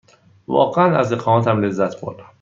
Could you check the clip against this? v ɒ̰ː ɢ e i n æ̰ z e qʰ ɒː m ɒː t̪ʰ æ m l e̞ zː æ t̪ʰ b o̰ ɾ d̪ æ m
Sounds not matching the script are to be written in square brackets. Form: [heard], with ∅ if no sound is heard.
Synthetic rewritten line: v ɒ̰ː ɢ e [æ] n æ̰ z e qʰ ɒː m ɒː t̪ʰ æ m l e̞ zː æ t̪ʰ b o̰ ɾ d̪ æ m

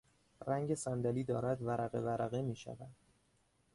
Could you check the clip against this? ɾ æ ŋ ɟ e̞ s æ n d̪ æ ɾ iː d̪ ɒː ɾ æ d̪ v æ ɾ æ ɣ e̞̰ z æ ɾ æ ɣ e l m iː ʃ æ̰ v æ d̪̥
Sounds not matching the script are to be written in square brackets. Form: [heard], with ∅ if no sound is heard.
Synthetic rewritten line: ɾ æ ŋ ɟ e̞ s æ n d̪ æ [l] iː d̪ ɒː ɾ æ d̪ v æ ɾ æ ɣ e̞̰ [v] æ ɾ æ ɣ e [∅] m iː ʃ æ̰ v æ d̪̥

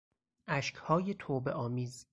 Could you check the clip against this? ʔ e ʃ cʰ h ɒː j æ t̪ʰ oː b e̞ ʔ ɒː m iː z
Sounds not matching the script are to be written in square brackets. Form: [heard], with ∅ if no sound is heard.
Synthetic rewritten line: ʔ [æ] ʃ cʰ h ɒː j [e] t̪ʰ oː b e̞ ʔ ɒː m iː z

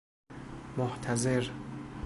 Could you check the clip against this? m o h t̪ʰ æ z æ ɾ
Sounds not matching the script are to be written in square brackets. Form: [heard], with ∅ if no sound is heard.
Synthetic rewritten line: m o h t̪ʰ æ z [e] ɾ

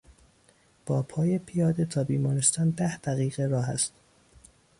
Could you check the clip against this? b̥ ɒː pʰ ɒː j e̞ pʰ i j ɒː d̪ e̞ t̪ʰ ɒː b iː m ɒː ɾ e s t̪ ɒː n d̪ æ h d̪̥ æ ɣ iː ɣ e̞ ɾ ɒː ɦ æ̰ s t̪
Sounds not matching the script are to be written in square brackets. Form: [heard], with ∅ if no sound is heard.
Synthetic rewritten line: b̥ ɒː pʰ ɒː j e̞ pʰ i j ɒː d̪ e̞ t̪ʰ ɒː b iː m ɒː ɾ e s t̪ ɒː n d̪ æ h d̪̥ æ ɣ iː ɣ e̞ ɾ ɒː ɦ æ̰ s t̪

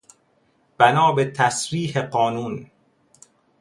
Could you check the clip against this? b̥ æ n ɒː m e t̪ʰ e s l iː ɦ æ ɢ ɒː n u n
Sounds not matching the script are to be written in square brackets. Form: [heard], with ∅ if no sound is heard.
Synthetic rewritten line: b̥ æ n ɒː [b] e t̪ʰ [æ] s [ɾ] iː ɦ [e] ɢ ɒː n [uː] n

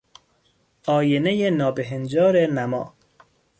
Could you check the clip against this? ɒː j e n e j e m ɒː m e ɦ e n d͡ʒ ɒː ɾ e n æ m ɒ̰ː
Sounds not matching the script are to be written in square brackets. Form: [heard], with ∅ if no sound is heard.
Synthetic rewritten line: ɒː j e n e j e [n] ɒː [b] e ɦ e n d͡ʒ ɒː ɾ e n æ m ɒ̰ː

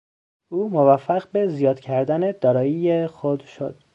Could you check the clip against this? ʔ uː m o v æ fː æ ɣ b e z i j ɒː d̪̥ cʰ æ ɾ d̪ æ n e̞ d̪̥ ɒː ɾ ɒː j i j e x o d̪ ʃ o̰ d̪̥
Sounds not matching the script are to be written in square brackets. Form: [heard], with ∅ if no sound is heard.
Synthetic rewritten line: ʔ uː m o v æ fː æ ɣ b e z i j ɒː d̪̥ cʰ æ ɾ d̪ æ n e̞ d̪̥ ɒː ɾ ɒː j i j e x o d̪ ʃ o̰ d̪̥

